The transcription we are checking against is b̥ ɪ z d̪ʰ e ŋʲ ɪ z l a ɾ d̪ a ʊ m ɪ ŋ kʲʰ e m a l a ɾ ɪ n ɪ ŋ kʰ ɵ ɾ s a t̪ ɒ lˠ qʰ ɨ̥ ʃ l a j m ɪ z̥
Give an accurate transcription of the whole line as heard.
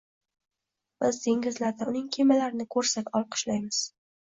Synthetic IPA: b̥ ɪ z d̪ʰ e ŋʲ ɪ z l a ɾ d̪ a ʊ n ɪ ŋ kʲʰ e m a l a ɾ ɪ n ɪ kʰ ɵ ɾ s a t̪ ɒ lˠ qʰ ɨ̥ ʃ l a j m ɪ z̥

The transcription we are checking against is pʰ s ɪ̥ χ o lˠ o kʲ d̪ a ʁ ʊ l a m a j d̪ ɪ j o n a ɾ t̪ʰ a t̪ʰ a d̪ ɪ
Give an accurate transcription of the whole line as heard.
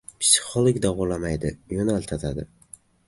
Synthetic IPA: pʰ s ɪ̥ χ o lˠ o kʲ d̪ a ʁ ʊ l a m a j d̪ ɪ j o n a l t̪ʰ a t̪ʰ a d̪ ɪ

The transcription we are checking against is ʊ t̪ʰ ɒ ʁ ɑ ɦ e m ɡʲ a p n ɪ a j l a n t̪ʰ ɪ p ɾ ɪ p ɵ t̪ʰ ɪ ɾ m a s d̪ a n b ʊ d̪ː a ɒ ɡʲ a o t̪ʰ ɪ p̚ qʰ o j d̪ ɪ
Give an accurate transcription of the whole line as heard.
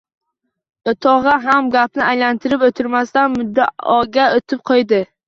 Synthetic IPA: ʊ t̪ʰ ɒ ʁ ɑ ɦ a m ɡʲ a p n ɪ a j l a n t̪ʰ ɪ ɾ ɪ p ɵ t̪ʰ ɪ ɾ m a s t̪ a n m ʊ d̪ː a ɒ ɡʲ a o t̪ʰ ɪ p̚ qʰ o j d̪ ɪ

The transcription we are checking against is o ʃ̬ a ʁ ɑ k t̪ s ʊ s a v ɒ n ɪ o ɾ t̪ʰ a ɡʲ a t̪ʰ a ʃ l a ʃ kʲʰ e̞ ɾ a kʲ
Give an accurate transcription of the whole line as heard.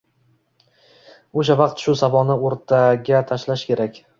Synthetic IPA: o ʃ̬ a v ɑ q t̪ ʃ ʊ s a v ɒ n ɪ o ɾ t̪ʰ a ɡʲ a t̪ʰ a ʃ l a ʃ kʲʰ e̞ ɾ a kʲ

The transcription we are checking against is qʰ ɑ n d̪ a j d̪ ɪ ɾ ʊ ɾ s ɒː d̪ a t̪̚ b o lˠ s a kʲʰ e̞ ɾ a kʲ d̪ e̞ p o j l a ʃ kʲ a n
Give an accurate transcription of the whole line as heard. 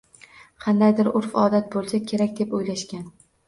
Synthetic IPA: qʰ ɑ n d̪ a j d̪ ɪ ɾ ʊ ɾ f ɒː d̪ a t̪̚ b o lˠ s a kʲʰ e̞ ɾ a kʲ d̪ e̞ p o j l a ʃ kʲ a n

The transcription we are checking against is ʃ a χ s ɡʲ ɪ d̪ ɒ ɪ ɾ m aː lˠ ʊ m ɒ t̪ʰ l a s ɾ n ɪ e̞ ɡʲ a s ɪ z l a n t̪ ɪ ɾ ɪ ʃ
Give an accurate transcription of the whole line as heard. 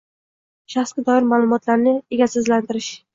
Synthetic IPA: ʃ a χ s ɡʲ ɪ d̪ ɒ ɪ ɾ m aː lˠ ʊ m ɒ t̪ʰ l a ɾ n ɪ e̞ ɡʲ a s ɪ z l a n t̪ ɪ ɾ ɪ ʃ

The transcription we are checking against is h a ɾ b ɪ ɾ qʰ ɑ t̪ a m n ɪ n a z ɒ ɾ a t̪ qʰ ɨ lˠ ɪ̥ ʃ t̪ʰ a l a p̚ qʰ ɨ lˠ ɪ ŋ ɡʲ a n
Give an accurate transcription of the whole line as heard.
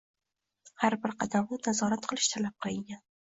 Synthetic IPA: h a ɾ b ɪ ɾ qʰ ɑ d̪ a m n ɪ n a z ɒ ɾ a t̪ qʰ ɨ lˠ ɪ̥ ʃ t̪ʰ a l a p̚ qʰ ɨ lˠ ɪ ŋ ɡʲ a n

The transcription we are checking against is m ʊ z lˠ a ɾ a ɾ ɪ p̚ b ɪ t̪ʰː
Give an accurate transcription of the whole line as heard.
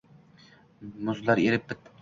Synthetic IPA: m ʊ z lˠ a ɾ e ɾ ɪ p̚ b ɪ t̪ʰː

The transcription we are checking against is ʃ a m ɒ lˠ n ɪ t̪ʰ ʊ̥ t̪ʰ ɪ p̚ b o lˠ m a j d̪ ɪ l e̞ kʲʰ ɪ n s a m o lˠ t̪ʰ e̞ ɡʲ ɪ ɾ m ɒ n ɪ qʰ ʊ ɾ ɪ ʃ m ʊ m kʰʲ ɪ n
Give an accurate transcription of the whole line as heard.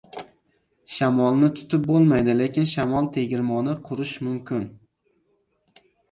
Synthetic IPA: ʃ a m ɒ lˠ n ɪ t̪ʰ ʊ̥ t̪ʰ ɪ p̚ b o lˠ m a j d̪ ɪ l e̞ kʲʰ ɪ n ʃ a m ɒ lˠ t̪ʰ e̞ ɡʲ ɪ ɾ m ɒ n ɪ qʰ ʊ ɾ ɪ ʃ m ʊ m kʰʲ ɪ n

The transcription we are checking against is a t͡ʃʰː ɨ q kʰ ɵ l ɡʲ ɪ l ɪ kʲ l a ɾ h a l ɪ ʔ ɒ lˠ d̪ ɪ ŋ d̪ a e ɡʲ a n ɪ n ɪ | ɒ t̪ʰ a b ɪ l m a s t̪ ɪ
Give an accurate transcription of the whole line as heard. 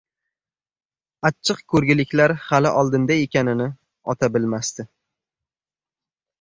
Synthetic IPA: a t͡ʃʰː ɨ q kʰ ɵ ɾ ɡʲ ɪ l ɪ kʲ l a ɾ h a l ɪ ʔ ɒ lˠ d̪ ɪ n d̪ a e kʲ a n ɪ n ɪ | ɒ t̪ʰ a b ɪ l m a s t̪ ɪ

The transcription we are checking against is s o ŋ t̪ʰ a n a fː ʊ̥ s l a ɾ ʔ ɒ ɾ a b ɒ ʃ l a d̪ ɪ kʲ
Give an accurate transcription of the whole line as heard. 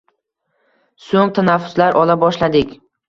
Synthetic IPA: s o ŋ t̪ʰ a n a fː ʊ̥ s l a ɾ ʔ ɒ l a b ɒ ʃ l a d̪ ɪ kʲ

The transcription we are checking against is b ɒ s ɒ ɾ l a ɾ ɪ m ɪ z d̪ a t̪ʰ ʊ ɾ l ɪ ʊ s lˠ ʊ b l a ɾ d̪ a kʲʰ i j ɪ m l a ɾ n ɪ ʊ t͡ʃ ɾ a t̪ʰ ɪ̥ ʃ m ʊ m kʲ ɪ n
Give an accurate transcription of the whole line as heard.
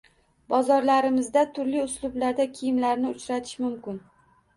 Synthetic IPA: b ɒ z ɒ ɾ l a ɾ ɪ m ɪ z d̪ a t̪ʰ ʊ ɾ l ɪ ʊ s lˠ ʊ b l a ɾ d̪ a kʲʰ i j ɪ m l a ɾ n ɪ ʊ t͡ʃ ɾ a t̪ʰ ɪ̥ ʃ m ʊ m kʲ ɪ n

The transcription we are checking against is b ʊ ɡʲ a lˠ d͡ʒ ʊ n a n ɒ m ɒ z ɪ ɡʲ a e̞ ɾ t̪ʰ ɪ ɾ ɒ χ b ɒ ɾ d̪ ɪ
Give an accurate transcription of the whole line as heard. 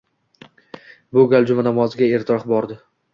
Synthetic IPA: b ʊ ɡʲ a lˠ d͡ʒ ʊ m a n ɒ m ɒ z ɪ ɡʲ a e̞ ɾ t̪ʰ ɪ ɾ ɒ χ b ɒ ɾ d̪ ɪ

